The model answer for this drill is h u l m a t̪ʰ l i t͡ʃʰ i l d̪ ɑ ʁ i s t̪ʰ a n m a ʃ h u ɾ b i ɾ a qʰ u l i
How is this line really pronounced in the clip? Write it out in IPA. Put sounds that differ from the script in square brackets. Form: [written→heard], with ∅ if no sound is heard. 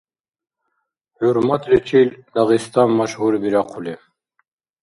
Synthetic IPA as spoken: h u [l→ɾ] m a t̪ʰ l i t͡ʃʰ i l d̪ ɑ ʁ i s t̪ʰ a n m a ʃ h u ɾ b i ɾ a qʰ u l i